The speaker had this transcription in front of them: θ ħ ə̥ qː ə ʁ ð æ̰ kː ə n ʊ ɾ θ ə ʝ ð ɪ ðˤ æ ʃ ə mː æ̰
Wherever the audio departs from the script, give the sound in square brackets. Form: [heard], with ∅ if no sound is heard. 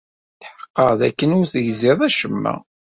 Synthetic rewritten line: θ ħ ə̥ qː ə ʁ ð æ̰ kː ə n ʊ ɾ θ ə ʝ [z] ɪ ðˤ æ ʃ ə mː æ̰